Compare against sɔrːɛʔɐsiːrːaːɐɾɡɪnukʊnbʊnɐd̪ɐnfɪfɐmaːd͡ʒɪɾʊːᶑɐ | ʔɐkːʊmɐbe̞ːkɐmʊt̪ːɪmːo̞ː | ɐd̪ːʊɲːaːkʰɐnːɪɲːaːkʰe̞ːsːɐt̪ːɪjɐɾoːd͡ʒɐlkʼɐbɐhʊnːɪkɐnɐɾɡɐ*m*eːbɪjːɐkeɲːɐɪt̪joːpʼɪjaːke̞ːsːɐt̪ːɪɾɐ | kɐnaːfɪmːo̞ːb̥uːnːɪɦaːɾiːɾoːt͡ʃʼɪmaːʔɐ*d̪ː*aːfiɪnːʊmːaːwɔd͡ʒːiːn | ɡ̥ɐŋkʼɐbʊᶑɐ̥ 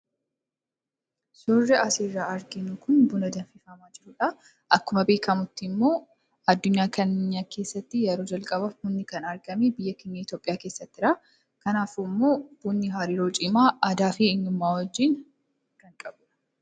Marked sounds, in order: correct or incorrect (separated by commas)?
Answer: correct, incorrect